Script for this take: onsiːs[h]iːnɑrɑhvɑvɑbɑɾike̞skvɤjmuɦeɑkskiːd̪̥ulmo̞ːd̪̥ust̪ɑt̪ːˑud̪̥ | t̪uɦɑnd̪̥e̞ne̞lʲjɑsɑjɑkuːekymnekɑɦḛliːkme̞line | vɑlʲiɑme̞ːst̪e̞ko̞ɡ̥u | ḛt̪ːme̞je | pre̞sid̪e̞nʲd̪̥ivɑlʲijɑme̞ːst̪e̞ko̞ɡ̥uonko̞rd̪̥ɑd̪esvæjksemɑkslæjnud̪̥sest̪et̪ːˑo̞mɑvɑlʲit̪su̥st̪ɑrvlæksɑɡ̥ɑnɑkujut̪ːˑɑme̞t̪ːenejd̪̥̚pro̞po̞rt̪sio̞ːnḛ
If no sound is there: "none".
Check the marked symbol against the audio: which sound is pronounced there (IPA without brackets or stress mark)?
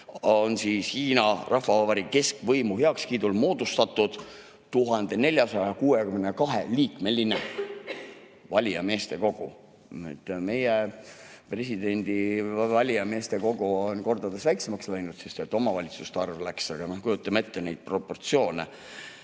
h